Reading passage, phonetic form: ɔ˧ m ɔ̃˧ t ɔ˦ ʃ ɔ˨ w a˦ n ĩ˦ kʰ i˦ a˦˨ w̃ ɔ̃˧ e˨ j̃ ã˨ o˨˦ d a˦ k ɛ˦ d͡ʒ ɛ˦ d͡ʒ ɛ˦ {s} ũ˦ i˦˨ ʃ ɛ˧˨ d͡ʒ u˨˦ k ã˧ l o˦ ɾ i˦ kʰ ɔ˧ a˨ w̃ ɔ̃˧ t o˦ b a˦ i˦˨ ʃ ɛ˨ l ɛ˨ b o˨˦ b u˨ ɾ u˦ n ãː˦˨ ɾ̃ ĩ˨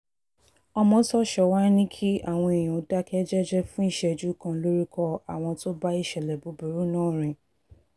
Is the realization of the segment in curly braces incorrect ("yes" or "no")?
yes